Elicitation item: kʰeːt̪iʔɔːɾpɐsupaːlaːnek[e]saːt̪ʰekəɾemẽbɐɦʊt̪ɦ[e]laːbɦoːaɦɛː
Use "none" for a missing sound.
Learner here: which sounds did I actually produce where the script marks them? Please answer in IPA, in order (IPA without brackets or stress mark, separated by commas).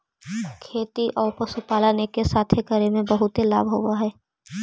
e, e